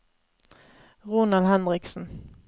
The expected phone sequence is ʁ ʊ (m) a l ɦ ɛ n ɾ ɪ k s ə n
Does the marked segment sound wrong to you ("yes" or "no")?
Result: yes